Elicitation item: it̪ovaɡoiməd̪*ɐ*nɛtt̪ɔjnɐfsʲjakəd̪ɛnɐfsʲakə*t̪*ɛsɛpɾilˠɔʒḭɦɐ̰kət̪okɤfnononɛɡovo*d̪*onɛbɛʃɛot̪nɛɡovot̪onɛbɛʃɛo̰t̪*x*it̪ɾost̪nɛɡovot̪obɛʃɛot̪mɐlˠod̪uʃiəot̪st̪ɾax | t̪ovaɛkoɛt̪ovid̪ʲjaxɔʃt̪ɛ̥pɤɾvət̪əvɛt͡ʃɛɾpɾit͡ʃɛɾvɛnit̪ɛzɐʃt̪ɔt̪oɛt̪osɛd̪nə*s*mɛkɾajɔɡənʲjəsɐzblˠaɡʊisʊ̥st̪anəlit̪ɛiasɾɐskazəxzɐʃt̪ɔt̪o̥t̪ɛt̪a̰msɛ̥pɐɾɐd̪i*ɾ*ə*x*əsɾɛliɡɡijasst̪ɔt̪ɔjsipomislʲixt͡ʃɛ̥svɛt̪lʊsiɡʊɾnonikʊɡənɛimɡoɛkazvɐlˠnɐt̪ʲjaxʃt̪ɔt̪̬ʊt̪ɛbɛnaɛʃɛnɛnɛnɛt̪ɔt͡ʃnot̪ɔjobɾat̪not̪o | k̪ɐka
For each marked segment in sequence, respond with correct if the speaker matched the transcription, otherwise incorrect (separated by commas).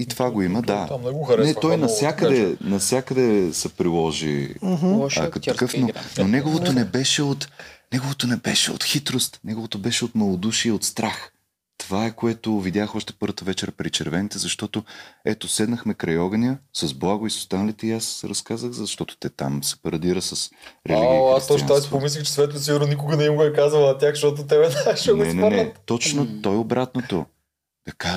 incorrect, incorrect, incorrect, correct, incorrect, correct, incorrect